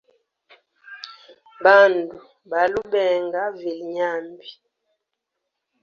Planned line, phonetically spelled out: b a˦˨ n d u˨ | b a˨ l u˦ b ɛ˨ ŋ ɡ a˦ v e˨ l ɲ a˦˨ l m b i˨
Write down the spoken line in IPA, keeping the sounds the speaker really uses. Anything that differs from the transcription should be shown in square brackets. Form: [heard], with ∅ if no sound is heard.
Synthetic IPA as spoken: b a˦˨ n d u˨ | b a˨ l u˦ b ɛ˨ ŋ ɡ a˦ v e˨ l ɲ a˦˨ [∅] m b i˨

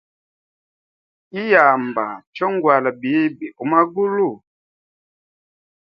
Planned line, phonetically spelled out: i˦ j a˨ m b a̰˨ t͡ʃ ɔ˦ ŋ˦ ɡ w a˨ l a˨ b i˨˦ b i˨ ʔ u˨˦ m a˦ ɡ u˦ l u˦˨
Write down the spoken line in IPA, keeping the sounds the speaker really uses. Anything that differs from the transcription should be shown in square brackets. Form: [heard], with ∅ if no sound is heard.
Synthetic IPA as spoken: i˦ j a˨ m b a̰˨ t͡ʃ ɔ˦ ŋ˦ ɡ w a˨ l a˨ b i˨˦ b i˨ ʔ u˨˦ m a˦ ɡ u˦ l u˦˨

